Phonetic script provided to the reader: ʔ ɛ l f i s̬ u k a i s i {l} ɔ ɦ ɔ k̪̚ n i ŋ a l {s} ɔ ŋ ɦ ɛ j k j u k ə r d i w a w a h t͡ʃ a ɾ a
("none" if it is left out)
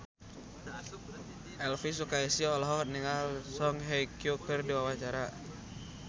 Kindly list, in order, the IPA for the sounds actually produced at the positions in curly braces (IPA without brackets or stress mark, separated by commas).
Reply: l, s